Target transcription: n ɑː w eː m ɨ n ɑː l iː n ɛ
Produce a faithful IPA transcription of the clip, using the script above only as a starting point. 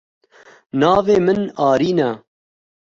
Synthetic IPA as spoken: n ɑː v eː m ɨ n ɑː ɾ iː n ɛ